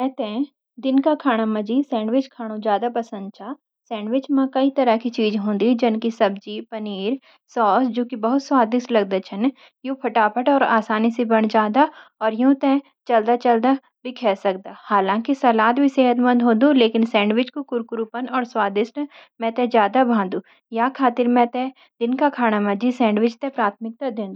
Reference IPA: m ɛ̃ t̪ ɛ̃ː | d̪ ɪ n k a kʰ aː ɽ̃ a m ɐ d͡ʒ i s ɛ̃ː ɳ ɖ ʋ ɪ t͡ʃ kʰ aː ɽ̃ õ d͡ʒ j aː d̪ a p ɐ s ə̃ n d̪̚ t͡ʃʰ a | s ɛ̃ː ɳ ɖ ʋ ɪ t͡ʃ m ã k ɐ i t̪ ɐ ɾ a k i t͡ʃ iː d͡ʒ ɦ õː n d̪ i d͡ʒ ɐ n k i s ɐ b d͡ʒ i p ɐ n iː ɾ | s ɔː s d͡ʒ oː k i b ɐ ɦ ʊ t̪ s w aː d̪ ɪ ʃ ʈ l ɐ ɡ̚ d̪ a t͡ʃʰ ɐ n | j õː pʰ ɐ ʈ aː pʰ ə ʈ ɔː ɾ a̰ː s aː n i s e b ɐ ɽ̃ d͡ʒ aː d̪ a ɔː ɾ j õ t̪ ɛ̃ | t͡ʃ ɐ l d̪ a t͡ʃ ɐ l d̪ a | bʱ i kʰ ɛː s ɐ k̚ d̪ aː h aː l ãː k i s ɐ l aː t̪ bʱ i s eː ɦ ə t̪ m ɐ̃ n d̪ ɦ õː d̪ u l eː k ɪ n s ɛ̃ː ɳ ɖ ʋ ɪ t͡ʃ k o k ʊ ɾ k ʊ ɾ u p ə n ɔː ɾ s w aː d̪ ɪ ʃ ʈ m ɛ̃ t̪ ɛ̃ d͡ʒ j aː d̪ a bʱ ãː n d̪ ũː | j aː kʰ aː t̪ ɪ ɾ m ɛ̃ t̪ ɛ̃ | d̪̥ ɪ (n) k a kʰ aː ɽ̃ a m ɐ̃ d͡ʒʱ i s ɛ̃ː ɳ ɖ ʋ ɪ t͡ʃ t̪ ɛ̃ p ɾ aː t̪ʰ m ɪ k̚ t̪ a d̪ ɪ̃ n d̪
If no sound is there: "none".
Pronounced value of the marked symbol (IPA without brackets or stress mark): n